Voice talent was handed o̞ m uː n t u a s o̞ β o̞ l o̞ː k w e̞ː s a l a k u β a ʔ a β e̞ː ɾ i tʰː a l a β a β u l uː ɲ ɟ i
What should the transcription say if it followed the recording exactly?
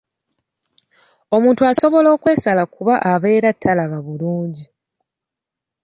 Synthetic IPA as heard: o̞ m uː n t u a s o̞ β o̞ l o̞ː k w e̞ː s a l a k u β a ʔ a β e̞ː ɾ a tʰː a l a β a β u l uː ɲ ɟ i